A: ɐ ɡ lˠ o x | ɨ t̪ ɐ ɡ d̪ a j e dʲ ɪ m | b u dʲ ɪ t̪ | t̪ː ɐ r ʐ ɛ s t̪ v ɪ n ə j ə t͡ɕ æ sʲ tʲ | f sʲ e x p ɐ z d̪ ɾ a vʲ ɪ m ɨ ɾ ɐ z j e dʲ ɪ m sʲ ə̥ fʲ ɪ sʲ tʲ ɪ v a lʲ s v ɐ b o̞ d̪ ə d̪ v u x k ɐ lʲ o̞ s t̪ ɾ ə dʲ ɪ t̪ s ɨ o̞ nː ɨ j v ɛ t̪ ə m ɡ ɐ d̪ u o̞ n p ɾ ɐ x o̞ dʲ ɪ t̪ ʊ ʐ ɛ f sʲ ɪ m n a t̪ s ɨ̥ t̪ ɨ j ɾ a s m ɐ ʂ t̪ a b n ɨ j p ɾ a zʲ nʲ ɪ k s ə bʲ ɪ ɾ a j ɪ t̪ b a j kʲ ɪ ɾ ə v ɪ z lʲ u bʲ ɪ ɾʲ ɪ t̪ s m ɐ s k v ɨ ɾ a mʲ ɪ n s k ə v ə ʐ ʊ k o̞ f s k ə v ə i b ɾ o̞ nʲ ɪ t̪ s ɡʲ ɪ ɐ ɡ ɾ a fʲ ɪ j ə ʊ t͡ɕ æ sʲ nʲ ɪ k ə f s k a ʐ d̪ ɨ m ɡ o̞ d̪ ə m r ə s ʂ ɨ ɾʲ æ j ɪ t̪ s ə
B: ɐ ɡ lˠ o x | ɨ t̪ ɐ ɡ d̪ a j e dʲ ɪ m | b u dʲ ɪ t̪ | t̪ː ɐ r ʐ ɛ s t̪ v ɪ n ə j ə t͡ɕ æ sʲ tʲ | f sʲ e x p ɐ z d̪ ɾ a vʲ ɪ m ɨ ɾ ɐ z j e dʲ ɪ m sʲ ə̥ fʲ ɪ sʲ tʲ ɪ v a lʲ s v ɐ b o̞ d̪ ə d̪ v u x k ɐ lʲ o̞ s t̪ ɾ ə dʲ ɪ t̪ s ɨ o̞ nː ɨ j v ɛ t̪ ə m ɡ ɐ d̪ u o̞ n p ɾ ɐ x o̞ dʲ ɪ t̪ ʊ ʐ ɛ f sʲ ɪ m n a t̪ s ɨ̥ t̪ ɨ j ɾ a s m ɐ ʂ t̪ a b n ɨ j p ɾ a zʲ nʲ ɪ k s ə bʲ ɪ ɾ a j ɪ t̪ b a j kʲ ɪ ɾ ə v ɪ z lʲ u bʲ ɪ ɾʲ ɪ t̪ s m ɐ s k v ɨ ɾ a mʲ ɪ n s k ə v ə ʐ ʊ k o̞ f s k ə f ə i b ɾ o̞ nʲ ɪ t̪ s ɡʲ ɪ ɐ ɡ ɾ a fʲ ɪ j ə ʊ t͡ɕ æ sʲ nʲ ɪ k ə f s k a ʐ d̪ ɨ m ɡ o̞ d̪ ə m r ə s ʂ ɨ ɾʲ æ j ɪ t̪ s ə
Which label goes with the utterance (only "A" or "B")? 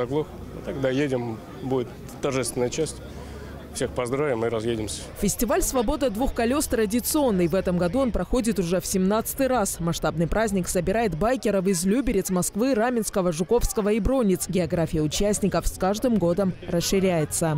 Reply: A